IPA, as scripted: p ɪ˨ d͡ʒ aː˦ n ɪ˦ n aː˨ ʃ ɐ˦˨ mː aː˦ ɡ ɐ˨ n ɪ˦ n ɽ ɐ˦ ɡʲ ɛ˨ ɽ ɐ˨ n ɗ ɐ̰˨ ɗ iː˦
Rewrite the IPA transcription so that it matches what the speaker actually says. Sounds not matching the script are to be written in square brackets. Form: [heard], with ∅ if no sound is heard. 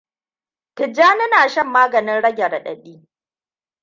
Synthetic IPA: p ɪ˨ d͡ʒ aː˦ n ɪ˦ n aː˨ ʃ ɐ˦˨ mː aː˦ ɡ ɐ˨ n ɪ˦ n ɽ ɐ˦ ɡʲ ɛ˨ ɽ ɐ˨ [∅] ɗ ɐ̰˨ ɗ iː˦